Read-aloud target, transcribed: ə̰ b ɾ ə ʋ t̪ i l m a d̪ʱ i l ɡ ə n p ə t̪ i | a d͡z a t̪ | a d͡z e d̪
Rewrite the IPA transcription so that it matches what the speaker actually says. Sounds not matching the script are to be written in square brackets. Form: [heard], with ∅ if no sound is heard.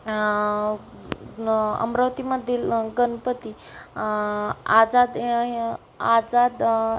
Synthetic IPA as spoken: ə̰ [m] ɾ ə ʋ t̪ i [∅] m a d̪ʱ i l ɡ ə n p ə t̪ i | a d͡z a [d̪] | a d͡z [a] d̪

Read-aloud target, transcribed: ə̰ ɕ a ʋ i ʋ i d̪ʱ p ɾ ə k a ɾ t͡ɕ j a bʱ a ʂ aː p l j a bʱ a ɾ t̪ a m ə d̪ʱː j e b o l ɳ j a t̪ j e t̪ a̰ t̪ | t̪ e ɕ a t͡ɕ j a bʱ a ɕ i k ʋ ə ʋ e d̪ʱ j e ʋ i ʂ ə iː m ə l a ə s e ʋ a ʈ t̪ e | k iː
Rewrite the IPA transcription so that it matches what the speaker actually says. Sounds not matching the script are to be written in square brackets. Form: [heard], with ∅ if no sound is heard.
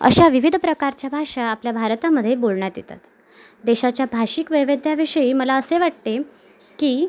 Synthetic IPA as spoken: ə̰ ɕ a ʋ i ʋ i d̪ʱ p ɾ ə k a ɾ t͡ɕ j a bʱ a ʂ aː p l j a bʱ a ɾ t̪ a m ə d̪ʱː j e b o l ɳ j a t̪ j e t̪ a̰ t̪ | [d̪] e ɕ a t͡ɕ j a bʱ a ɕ i k ʋ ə ʋ e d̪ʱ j [a] ʋ i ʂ ə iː m ə l a ə s e ʋ a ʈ t̪ e | k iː

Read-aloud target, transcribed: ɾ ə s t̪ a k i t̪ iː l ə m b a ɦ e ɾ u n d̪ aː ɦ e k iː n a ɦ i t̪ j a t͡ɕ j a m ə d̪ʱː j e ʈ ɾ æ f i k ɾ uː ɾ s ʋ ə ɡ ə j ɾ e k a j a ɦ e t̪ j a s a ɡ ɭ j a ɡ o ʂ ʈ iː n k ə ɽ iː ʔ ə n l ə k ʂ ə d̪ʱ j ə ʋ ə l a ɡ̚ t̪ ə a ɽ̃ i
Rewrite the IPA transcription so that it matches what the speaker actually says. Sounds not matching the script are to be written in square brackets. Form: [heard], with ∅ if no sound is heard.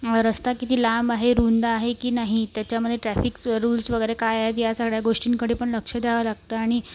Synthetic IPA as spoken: ɾ ə s t̪ a k i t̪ iː l [a] m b a ɦ e ɾ u n d̪ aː ɦ e k iː n a ɦ i t̪ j a t͡ɕ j a m ə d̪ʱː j e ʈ ɾ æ f i k ɾ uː [l] s ʋ ə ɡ ə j ɾ e k a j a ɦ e t̪ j a s a ɡ ɭ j a ɡ o ʂ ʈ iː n k ə ɽ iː [p] ə [ɳ] l ə k ʂ ə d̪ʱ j [a] ʋ ə l a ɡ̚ t̪ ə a ɽ̃ i

